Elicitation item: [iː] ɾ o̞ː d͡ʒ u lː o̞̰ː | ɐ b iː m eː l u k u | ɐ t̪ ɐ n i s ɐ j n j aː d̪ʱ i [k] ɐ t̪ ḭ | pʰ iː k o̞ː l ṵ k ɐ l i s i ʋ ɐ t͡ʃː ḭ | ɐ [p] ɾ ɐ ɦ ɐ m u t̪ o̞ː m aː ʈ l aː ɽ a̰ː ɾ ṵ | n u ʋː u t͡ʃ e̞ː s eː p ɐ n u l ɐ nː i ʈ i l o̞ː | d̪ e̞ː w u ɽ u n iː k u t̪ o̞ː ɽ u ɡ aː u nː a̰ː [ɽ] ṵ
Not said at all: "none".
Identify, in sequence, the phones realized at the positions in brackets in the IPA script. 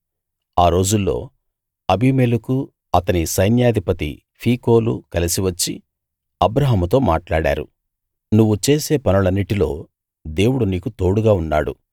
aː, p, b, ɽ

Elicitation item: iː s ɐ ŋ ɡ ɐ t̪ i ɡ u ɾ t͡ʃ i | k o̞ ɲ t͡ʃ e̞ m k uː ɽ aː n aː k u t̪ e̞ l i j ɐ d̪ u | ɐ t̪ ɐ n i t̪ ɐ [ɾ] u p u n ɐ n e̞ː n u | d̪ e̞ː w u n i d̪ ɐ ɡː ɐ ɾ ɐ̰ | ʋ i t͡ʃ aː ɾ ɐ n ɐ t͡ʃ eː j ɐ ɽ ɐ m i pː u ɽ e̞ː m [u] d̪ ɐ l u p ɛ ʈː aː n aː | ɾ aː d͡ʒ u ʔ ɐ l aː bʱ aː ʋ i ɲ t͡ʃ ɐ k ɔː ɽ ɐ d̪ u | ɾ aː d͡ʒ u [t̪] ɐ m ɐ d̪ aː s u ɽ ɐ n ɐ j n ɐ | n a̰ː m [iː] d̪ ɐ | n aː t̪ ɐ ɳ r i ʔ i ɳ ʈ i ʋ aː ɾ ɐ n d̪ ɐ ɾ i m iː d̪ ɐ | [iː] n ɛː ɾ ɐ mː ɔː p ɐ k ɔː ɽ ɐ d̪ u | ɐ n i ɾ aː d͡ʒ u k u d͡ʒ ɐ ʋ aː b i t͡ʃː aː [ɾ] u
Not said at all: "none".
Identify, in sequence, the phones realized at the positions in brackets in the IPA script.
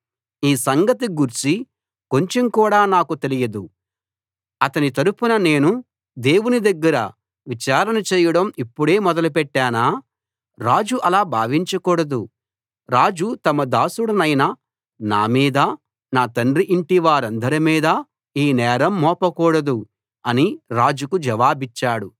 ɾ, ɔ, t̪, iː, iː, ɽ

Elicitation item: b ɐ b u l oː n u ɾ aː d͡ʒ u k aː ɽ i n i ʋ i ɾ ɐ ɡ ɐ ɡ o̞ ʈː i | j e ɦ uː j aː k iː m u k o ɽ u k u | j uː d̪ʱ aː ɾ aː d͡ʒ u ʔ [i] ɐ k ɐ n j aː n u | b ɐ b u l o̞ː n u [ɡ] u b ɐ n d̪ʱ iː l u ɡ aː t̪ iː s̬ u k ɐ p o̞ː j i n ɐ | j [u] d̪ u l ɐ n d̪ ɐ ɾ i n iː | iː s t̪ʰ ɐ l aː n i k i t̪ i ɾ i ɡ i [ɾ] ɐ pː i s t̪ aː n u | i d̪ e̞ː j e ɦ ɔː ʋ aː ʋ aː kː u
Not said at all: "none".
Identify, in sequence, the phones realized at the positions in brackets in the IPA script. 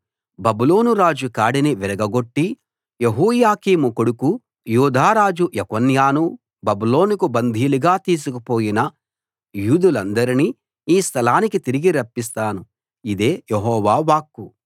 j, k, uː, ɾ

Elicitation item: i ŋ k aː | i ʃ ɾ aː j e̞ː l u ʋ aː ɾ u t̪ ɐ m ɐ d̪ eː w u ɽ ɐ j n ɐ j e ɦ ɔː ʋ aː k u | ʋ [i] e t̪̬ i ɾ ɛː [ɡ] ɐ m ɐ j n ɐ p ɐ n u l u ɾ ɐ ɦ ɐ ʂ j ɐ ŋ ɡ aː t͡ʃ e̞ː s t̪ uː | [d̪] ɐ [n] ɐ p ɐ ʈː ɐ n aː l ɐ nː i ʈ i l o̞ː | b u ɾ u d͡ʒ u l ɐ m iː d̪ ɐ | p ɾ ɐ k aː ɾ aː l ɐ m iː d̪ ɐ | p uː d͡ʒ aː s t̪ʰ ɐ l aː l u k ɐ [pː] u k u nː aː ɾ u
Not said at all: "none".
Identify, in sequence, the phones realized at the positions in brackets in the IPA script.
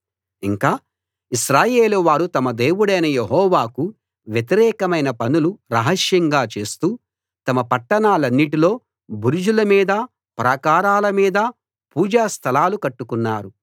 j, k, t̪, m, ʈː

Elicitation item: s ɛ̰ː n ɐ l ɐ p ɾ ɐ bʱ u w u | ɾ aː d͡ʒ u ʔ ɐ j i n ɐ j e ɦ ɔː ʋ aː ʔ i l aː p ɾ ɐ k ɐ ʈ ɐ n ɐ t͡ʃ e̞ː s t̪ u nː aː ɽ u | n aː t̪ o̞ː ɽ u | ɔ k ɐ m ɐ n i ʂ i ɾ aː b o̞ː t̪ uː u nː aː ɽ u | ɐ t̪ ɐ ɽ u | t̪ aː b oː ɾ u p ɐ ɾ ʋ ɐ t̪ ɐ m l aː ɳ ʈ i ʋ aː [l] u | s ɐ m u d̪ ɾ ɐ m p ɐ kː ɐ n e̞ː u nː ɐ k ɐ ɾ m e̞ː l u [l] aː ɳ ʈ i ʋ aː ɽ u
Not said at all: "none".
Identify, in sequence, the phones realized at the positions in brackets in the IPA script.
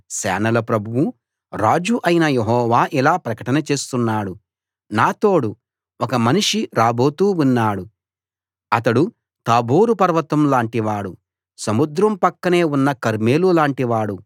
ɽ, l

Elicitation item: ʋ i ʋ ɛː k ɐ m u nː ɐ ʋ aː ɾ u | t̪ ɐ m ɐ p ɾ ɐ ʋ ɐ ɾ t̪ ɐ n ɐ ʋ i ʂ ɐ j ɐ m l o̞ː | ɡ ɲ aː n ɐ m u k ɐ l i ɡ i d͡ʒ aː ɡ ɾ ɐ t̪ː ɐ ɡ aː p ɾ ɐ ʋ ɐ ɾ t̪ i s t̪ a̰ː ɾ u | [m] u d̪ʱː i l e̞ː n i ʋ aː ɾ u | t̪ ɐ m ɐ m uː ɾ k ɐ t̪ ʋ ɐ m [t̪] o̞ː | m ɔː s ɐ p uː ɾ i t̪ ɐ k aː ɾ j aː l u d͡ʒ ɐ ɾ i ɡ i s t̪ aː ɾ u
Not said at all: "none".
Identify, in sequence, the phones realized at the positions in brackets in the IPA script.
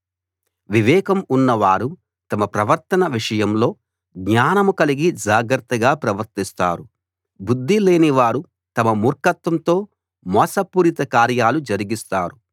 b, t̪

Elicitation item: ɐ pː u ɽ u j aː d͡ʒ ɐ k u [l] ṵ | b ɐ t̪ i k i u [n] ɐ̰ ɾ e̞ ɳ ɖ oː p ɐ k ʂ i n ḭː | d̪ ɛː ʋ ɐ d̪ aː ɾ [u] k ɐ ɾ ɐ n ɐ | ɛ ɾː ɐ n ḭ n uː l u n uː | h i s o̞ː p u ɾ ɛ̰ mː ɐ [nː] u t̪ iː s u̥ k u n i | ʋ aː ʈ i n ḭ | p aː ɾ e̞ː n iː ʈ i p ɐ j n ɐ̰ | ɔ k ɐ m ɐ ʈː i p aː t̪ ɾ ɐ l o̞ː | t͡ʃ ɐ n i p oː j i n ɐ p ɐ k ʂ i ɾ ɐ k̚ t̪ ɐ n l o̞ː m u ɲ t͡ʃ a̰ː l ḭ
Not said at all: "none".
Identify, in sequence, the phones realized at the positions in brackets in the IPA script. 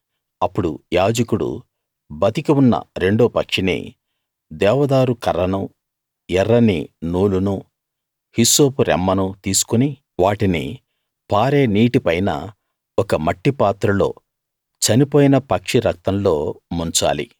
ɽ, nː, u, n

